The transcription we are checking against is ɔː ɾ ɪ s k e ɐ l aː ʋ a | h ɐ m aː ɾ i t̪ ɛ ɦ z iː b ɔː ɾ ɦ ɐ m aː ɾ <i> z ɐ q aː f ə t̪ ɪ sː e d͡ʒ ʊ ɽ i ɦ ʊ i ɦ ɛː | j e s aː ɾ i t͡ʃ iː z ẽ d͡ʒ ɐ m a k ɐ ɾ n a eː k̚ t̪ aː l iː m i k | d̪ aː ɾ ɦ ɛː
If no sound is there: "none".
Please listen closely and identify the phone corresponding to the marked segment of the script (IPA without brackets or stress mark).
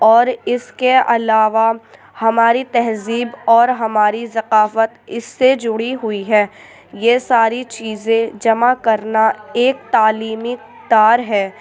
i